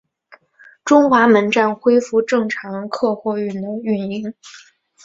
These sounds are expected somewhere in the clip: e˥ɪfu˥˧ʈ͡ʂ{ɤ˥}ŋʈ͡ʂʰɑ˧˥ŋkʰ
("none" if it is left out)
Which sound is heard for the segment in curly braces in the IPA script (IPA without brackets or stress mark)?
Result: ɤ˥˩